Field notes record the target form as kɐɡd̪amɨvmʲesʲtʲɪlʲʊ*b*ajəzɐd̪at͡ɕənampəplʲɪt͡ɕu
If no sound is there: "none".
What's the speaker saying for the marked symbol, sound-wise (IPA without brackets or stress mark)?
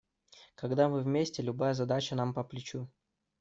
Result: b